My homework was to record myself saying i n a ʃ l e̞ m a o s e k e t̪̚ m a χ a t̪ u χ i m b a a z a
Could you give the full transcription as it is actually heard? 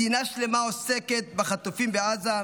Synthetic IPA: i n a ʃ l e̞ m a o s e k e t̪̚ b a χ a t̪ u f i m b e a z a